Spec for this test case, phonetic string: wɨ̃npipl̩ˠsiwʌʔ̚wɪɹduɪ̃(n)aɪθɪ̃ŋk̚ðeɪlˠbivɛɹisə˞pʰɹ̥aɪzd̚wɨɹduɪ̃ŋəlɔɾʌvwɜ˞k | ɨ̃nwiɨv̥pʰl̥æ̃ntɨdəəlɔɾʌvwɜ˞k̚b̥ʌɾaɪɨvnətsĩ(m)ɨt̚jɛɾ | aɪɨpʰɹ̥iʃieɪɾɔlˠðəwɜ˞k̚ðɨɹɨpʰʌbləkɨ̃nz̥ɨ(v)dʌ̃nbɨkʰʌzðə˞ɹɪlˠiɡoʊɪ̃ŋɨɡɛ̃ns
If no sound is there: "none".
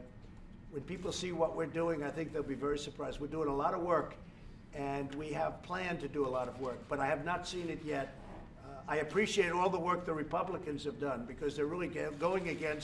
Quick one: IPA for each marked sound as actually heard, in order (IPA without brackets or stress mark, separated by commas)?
ŋ, n, v